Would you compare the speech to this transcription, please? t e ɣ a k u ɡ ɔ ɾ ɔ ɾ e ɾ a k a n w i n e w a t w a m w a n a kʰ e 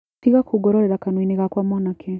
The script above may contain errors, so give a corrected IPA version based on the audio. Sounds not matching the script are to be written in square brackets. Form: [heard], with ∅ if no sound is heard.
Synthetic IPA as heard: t [i] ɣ a k u ɡ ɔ ɾ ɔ ɾ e ɾ a k a n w i n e [ɣ] a [k] w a m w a n a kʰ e

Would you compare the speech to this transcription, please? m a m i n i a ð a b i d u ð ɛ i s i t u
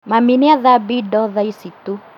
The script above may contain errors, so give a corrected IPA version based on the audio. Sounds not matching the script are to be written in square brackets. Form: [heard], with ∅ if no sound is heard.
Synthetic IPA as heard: m a m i n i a ð a b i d [ɔ] ð [a] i s i t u

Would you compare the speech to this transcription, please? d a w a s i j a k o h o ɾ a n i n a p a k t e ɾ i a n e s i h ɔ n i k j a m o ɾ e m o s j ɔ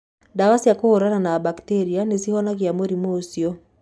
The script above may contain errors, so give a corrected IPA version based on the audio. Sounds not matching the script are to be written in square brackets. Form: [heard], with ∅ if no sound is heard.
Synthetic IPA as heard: d a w a s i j a k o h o ɾ a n [a] n a [b] a k t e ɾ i a n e s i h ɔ n [a] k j a m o ɾ [i] m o s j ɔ

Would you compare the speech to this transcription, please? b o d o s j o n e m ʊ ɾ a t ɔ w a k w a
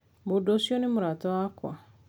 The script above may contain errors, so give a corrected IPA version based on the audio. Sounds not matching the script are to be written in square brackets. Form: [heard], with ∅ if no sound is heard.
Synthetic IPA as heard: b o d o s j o n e m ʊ ɾ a t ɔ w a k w a

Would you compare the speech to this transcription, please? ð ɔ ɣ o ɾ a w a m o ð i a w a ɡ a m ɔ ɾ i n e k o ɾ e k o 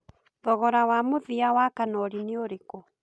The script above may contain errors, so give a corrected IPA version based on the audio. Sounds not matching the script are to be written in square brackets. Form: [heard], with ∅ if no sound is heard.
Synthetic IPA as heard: ð ɔ ɣ [ɔ] ɾ a w a m o ð i a w a [k] a [n] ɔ ɾ i n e [∅] o ɾ e k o

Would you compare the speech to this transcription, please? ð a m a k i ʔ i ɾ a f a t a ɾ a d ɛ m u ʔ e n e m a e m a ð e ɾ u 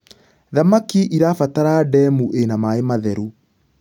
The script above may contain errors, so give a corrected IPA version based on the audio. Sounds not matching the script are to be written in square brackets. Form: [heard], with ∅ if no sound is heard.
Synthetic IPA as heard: ð a m a k i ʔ i ɾ a f a t a ɾ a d ɛ m u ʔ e n [a] m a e m a ð [ɛ] ɾ u

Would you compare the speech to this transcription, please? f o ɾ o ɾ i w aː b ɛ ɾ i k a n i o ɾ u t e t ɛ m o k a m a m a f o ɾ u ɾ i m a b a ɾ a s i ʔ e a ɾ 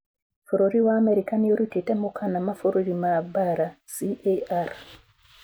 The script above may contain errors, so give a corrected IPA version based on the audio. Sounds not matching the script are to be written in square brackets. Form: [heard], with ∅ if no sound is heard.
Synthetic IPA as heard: f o ɾ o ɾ i w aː [m] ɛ ɾ i k a n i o ɾ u t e t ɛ m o k a [n] a m a f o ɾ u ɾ i m a b a ɾ a s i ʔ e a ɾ

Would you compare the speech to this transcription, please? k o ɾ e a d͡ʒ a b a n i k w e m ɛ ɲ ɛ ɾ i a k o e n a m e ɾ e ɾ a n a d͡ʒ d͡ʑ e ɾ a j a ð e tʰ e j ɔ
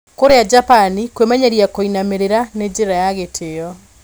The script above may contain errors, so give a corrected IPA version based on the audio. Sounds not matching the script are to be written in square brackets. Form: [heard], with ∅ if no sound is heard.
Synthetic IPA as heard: k o ɾ e a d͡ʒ a [p] a n i k w e m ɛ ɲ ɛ ɾ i a k o [i] n a m e ɾ e ɾ a n [e] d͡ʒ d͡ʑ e ɾ a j a [ɣ] e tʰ e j ɔ

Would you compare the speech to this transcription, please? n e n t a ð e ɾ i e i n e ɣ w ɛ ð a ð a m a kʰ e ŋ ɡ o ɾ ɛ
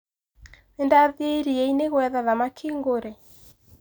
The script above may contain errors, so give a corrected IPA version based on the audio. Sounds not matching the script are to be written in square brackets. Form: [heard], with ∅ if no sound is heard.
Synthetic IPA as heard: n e n [d] a ð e ɾ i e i n e ɣ w ɛ ð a ð a m a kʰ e ŋ ɡ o ɾ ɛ

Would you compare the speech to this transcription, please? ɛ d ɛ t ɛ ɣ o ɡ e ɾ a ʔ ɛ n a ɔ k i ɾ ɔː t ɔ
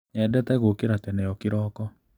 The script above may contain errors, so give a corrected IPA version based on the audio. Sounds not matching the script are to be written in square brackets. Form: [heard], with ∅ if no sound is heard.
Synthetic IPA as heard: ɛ d ɛ t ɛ ɣ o [k] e ɾ a [t] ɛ n [ɛ] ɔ k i ɾ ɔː [k] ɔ

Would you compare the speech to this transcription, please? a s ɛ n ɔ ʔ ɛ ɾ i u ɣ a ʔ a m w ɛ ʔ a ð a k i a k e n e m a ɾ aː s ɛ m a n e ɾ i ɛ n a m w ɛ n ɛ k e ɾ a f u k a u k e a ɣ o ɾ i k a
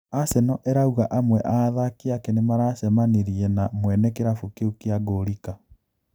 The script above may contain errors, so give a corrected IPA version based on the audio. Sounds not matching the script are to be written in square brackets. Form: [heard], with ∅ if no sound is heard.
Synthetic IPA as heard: a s ɛ n ɔ ʔ ɛ ɾ [a] u ɣ a ʔ a m w ɛ ʔ a ð a k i a k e n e m a ɾ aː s ɛ m a n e ɾ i ɛ n a m w ɛ n ɛ k e ɾ a f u k [e] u k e a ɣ o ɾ i k a

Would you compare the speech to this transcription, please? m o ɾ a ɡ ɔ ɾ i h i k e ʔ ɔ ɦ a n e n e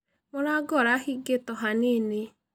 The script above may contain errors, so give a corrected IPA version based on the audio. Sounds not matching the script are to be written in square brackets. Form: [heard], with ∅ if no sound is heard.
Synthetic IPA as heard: m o ɾ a ɡ ɔ ɾ [a] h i [ɡ] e [t] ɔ ɦ a n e n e

